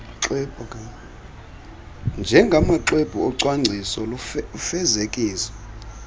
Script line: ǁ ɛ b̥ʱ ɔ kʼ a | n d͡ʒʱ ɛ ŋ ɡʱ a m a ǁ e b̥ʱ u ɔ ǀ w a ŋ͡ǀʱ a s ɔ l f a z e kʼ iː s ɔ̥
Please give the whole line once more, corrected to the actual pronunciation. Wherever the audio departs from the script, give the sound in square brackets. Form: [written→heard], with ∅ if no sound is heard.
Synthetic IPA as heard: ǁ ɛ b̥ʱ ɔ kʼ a | n d͡ʒʱ ɛ ŋ ɡʱ a m a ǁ e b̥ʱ u ɔ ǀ w a ŋ͡ǀʱ [a→i] s ɔ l f [a→ɛ] z e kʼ iː s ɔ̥